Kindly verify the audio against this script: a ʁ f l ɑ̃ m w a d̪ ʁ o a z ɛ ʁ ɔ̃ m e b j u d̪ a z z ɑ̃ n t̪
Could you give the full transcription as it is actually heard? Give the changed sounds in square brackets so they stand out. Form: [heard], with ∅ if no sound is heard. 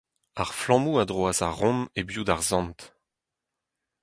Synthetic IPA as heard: a ʁ f l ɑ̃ m [u] a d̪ ʁ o a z [a] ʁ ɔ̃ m e b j u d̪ a [ʁ] z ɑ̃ n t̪